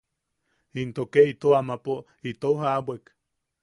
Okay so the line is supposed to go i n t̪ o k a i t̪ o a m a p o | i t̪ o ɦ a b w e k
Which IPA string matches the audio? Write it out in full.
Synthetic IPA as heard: i n t̪ o k e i t̪ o a m a p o | i t̪ o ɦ a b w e k

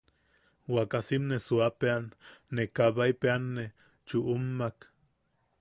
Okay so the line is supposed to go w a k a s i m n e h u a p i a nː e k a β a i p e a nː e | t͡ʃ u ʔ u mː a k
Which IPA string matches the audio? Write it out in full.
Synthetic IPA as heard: w a k a s i m n e s u a p e a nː e k a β a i p e a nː e | t͡ʃ u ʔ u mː a k

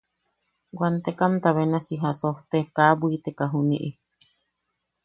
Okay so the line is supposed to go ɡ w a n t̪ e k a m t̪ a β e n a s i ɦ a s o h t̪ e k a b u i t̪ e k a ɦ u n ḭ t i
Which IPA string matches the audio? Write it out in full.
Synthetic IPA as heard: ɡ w a n t̪ e k a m t̪ a β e n a s i ɦ a s o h t̪ e k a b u i t̪ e k a ɦ u n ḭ ʔ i

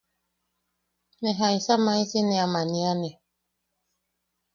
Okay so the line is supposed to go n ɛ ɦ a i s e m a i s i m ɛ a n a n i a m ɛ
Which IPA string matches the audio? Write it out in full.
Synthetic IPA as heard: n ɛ ɦ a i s a m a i s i n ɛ a m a n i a n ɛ

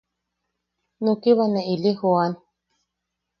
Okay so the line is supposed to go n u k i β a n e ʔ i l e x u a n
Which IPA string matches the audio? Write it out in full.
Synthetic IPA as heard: n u k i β a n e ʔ i l i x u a n

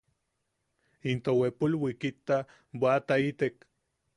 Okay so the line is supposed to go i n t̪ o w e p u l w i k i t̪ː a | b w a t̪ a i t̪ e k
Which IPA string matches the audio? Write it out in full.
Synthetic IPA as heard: i n t̪ o w e p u l w i k i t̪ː a | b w a t̪ a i t̪ e k

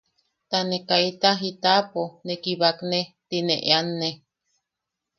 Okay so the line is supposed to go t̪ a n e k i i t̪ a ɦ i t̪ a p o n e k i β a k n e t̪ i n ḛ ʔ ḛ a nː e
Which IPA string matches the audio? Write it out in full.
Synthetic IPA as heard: t̪ a n e k a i t̪ a ɦ i t̪ a p o n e k i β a k n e t̪ i n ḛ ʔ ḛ a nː e

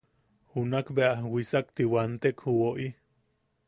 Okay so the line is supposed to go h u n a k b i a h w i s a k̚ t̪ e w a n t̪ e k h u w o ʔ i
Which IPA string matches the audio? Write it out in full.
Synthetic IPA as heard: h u n a k b e a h w i s a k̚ t̪ i w a n t̪ e k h u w o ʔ i

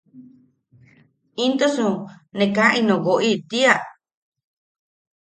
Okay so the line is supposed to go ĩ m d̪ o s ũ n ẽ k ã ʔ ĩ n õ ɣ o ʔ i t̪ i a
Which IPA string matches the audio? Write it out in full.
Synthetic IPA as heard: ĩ n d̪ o s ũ n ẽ k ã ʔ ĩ n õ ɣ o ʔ i t̪ i a

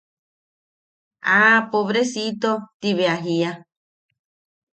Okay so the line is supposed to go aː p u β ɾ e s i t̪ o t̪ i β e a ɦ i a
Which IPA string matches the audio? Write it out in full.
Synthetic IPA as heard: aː p o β ɾ e s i t̪ o t̪ i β e a ɦ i a

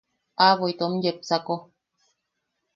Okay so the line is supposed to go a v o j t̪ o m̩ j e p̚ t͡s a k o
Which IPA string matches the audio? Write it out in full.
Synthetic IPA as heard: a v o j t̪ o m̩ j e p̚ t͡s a k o

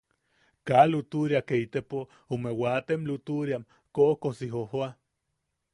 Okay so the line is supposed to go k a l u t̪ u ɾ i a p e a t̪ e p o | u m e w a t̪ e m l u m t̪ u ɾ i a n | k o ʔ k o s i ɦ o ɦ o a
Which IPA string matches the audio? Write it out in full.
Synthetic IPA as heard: k a l u t̪ u ɾ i a k e i t̪ e p o | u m e w a t̪ e m l u t̪ u ɾ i a m | k o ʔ k o s i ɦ o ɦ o a

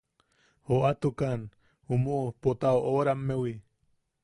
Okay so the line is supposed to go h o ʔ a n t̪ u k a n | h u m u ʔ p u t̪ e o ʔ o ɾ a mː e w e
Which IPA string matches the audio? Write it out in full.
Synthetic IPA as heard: h o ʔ a t̪ u k a n | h u m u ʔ p o t̪ a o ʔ o ɾ a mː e w i

